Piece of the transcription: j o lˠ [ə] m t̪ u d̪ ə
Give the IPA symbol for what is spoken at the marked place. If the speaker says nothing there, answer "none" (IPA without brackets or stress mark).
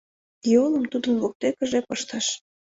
ə